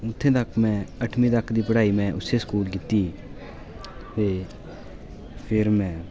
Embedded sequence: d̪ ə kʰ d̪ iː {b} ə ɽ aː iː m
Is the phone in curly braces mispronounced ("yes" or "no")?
yes